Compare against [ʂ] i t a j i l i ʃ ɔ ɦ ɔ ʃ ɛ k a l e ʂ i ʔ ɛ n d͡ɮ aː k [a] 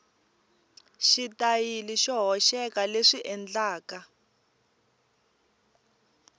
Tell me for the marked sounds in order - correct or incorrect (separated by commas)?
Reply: incorrect, correct